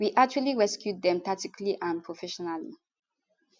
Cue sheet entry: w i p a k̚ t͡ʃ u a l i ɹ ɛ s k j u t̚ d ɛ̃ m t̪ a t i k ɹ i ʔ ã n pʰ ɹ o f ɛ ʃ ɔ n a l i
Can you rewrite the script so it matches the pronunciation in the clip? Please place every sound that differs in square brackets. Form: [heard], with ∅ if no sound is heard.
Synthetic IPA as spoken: w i [ʔ] a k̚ t͡ʃ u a l i ɹ ɛ s k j u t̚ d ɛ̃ m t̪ a t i k [l] i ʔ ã n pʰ ɹ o f ɛ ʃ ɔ n a l i